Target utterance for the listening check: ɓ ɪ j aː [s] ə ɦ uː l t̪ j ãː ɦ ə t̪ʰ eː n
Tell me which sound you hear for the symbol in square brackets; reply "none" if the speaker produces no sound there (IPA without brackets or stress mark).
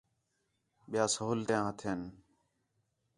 s